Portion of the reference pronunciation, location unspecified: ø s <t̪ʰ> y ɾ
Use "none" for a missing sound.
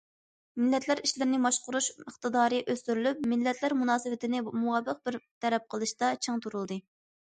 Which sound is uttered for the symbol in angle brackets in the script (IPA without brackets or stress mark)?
t̪